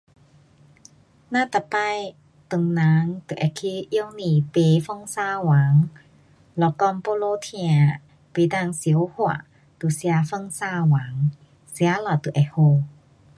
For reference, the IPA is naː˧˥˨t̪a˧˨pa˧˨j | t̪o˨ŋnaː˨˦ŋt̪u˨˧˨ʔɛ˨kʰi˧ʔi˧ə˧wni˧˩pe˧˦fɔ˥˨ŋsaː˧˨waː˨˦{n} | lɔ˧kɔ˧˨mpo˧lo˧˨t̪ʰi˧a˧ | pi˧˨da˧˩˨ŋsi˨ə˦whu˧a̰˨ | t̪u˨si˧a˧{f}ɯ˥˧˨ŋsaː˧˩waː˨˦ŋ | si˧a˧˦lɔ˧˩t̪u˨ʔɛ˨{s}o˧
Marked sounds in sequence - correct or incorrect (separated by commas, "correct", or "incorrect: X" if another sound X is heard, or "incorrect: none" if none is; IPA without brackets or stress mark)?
incorrect: ŋ, correct, incorrect: h